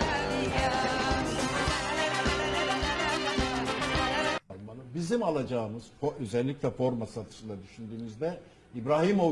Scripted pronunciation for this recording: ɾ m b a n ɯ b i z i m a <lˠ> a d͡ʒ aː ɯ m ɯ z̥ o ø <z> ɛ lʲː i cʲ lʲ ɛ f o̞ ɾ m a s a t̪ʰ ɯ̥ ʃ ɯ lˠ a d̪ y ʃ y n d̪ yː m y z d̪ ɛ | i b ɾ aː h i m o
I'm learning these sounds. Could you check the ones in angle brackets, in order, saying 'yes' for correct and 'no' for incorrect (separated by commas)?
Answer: yes, yes